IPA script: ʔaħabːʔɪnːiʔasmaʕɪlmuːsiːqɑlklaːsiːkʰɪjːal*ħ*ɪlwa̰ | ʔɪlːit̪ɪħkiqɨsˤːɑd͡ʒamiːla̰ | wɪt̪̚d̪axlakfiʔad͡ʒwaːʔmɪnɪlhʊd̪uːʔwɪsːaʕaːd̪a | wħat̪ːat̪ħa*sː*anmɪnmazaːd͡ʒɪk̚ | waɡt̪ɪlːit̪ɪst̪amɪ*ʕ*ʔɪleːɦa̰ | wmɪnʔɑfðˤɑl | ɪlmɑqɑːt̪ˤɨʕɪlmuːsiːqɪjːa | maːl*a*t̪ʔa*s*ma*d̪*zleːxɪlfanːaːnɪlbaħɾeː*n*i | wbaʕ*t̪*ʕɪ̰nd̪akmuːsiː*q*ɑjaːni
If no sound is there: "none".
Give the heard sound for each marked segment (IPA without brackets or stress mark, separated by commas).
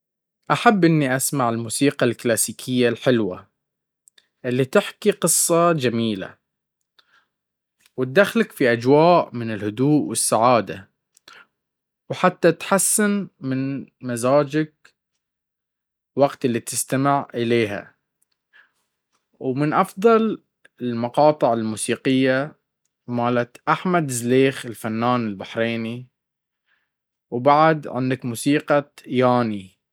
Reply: ħ, sː, ʕ, a, ħ, d̪, n, d̪, q